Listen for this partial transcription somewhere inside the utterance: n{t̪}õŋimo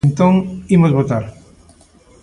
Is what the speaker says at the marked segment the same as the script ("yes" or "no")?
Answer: yes